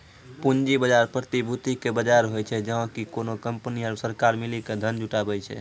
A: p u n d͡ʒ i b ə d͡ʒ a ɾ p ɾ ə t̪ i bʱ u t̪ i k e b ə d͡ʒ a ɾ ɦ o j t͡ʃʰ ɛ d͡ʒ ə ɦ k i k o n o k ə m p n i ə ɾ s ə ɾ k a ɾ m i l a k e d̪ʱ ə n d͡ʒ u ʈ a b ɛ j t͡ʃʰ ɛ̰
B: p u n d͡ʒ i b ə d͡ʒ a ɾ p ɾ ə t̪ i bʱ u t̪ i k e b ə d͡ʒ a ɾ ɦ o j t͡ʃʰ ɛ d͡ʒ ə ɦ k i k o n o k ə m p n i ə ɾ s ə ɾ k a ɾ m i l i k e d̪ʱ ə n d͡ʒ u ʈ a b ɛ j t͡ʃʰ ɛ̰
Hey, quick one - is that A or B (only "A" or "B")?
B